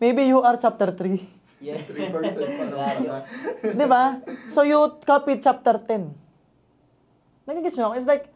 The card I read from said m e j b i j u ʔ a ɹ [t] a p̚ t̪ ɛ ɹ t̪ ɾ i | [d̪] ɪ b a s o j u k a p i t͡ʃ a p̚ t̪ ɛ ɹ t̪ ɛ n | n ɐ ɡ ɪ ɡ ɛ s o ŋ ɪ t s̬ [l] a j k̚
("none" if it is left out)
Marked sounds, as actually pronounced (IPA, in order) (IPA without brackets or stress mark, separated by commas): t͡ʃ, d̪, l